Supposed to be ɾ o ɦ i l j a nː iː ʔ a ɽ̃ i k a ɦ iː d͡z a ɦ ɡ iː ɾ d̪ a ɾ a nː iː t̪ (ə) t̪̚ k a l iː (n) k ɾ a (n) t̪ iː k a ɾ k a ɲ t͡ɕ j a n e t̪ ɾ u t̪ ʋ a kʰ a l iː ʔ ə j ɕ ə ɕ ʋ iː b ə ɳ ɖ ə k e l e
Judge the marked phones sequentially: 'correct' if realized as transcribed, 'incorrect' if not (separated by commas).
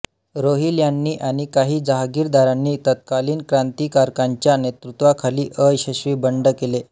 correct, correct, correct